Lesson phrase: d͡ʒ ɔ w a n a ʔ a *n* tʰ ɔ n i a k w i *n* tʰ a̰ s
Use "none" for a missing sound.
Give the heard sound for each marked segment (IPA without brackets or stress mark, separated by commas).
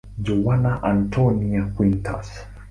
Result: n, n